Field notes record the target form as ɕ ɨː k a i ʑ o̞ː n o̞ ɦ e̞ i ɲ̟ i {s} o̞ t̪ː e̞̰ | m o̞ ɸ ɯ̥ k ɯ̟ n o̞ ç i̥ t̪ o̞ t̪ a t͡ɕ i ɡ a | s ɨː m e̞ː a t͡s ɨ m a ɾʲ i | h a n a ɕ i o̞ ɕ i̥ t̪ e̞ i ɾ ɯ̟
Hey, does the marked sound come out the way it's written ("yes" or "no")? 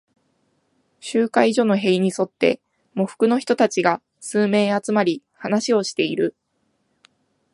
yes